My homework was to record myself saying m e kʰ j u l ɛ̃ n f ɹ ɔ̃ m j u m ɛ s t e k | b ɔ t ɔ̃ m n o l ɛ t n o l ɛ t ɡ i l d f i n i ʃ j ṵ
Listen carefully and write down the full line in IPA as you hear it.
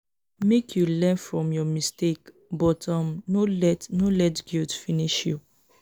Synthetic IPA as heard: m e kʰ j u l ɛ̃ n f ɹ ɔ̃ m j ɔ m i s t e k | b ɔ t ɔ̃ m n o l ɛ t n o l ɛ t ɡ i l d f i n i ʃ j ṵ

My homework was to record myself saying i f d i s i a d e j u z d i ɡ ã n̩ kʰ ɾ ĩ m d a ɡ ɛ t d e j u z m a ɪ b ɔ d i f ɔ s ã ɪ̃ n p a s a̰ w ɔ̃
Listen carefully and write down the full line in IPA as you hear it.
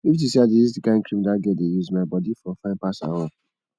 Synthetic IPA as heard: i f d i s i a d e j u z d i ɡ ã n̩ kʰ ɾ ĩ m d a ɡ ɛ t d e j u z m a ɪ b ɔ d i f ɔ f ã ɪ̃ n p a s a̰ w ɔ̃

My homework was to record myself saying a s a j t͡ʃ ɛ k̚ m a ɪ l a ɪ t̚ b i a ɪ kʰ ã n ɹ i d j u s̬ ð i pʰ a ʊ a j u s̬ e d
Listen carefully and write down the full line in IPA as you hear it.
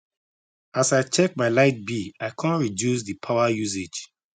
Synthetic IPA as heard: a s a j t͡ʃ ɛ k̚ m a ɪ l a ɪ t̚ b i a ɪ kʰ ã n ɹ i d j u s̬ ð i pʰ a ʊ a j u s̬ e d͡ʒ

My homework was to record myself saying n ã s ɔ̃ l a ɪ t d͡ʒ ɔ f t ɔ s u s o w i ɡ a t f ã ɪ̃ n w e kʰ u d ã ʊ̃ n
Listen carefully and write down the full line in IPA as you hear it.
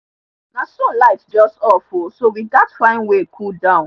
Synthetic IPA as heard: n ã s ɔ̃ l a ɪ t d͡ʒ ɔ s t ɔ f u s o w i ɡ a t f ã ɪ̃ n w e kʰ u d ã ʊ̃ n

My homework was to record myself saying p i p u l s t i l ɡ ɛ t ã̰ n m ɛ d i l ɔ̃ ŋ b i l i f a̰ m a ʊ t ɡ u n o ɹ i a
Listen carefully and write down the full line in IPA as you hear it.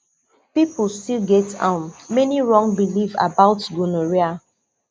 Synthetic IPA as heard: p i p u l s t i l ɡ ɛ t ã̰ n m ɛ n i ɹ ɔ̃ ŋ b i l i v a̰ b a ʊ t ɡ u n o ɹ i a

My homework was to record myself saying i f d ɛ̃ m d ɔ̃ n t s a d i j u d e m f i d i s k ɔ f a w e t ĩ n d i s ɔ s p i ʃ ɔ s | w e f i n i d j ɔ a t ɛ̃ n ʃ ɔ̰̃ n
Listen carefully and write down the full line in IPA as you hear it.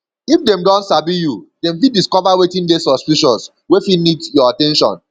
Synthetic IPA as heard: i f d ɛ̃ m d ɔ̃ n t s a b i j u d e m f i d i s k ɔ v a w e t ĩ n d e s ɔ s p i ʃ ɔ s | w e f i n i d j ɔ a t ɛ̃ n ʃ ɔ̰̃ n

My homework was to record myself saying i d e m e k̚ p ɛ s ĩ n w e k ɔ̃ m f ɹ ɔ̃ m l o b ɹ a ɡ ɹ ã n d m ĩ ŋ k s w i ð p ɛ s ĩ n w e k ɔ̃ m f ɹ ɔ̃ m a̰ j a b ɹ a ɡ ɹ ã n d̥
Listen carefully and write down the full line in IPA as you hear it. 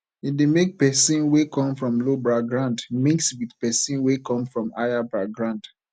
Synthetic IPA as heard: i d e m e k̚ p ɛ s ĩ n w e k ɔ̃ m f ɹ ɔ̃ m l o b ɹ a ɡ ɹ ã n d m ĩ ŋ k s w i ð p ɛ s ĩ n w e k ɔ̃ m f ɹ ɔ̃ m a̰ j a b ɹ a ɡ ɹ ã n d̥

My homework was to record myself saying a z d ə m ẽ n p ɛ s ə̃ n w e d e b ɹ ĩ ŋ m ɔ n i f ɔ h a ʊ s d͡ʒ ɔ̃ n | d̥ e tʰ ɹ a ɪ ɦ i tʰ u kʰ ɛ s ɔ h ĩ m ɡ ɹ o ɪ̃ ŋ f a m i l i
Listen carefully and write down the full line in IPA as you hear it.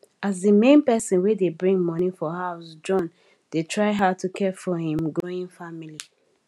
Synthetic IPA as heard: a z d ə m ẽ n p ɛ s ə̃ n w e d e b ɹ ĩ ŋ m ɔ n i f ɔ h a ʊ s d͡ʒ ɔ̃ n | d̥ e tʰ ɹ a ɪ ɦ a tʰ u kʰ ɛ f ɔ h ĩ m ɡ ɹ o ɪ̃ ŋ f a m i l i

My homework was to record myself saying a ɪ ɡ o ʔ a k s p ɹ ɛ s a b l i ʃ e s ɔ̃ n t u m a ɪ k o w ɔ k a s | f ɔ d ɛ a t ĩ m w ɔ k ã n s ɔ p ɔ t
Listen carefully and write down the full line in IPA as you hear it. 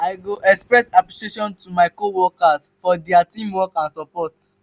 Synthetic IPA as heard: a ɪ ɡ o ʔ ɛ k s p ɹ ɛ s a p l i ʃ e ʃ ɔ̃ n t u m a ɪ k o w ɔ k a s | f ɔ d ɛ a t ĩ m w ɔ k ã n s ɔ p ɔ t

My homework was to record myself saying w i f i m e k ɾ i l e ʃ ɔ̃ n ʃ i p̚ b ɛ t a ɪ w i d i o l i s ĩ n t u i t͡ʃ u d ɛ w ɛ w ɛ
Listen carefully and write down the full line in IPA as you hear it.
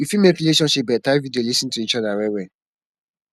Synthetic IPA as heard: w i f i m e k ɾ i l e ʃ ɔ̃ n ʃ i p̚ b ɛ t a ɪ v i d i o l i s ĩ n t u i t͡ʃ ɔ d a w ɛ w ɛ

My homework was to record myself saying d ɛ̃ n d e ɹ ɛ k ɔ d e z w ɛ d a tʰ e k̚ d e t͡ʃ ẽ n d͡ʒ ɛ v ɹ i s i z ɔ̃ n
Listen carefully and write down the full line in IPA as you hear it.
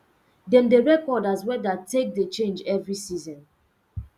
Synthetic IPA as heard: d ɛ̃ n d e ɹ ɛ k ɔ d a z w ɛ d a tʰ e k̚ d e t͡ʃ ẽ n d͡ʒ ɛ v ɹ i s i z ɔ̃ n

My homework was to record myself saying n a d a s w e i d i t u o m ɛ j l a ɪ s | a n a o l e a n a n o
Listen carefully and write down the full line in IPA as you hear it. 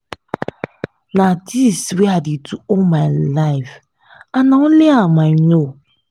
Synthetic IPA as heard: n a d i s w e a d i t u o m a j l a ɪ f | a n a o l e a m a n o

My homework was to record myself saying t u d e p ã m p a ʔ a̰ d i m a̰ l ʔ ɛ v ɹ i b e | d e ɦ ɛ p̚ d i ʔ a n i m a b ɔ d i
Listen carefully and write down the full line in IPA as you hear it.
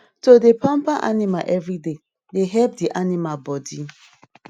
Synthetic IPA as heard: t o d e p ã m p a ʔ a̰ n i m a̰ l ʔ ɛ v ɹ i d e | d e ɦ ɛ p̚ d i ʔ a n i m a b ɔ d i

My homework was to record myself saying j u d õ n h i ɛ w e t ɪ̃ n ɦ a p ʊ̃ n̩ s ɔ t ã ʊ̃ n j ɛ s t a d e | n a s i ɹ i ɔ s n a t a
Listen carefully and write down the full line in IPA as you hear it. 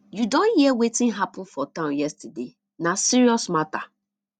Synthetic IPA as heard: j u d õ n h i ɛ w e t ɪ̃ n ɦ a p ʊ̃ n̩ f ɔ t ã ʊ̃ n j ɛ s t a d e | n a s i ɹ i ɔ s m a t a

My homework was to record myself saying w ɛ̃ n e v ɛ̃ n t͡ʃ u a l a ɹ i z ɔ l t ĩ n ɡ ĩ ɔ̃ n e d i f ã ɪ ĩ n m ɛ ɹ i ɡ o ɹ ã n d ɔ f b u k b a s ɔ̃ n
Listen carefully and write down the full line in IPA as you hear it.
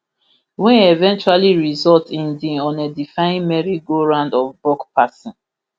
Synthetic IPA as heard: w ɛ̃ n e v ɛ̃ n t͡ʃ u a l i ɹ i z ɔ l t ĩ n d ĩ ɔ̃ n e d i f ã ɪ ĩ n m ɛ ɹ i ɡ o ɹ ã n d ɔ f b ɔ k p a s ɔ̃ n

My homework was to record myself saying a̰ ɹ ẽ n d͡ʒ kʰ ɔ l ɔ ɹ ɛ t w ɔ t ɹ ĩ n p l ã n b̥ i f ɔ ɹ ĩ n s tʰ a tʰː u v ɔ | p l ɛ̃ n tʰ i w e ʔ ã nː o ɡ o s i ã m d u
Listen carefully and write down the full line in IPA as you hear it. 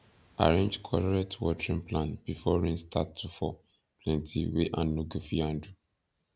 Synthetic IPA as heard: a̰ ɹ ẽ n d͡ʒ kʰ ɔ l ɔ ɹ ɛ t w ɔ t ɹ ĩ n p l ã n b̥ i f ɔ ɹ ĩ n s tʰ a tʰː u f ɔ | p l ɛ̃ n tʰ i w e ʔ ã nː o ɡ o f i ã n d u

